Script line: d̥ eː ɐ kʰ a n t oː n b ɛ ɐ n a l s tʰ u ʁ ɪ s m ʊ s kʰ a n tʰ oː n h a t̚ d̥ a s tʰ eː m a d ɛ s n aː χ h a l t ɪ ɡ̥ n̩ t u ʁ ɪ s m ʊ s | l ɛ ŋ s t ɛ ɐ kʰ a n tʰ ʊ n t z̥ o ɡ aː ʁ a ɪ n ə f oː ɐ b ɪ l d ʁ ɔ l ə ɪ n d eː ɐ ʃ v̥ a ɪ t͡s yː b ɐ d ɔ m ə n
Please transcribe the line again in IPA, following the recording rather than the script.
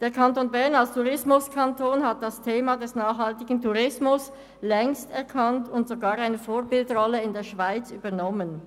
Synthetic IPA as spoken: d̥ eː ɐ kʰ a n t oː n b ɛ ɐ n a l s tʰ u ʁ ɪ s m ʊ s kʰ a n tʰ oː n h a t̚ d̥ a s tʰ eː m a d ɛ s n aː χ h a l t ɪ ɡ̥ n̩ t u ʁ ɪ s m ʊ s | l ɛ ŋ s t ɛ ɐ kʰ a n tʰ ʊ n t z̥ o ɡ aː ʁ a ɪ n ə f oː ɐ b ɪ l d ʁ ɔ l ə ɪ n d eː ɐ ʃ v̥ a ɪ t͡s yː b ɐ n ɔ m ə n